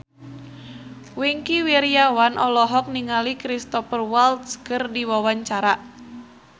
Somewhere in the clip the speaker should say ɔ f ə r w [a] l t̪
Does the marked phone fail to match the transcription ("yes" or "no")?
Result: no